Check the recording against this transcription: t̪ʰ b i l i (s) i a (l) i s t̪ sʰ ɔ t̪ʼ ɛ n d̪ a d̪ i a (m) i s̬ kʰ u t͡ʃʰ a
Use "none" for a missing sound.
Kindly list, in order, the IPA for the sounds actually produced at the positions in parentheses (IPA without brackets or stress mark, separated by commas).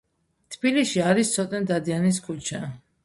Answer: ʃ, ɾ, n